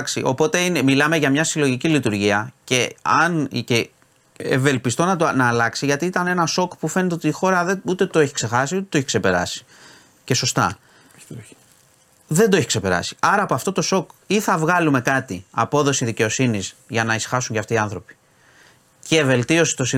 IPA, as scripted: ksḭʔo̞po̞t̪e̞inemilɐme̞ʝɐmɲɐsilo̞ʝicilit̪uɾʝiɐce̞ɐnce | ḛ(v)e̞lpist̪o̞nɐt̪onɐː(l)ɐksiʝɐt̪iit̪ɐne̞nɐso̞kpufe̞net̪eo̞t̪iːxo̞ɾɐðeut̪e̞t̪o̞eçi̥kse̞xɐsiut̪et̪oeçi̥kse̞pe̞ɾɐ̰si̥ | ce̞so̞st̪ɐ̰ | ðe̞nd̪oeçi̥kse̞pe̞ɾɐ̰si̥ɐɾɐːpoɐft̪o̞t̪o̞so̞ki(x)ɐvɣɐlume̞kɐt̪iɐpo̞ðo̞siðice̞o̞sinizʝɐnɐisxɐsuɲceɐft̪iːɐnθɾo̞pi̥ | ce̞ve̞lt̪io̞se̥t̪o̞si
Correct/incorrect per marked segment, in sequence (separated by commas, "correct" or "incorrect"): correct, correct, incorrect